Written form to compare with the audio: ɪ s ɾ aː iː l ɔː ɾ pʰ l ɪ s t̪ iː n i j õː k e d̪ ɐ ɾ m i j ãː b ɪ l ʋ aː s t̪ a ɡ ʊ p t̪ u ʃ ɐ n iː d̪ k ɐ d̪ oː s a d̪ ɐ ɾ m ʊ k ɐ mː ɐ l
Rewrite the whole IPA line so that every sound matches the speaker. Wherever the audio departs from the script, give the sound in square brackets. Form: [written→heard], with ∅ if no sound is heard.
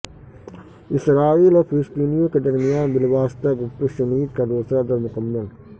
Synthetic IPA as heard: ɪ s ɾ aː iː l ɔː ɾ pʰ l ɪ s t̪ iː n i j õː k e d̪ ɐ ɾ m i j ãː b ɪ l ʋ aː s t̪ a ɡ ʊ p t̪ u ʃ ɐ n iː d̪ k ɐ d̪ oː s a d̪ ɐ ɾ m ʊ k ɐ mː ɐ l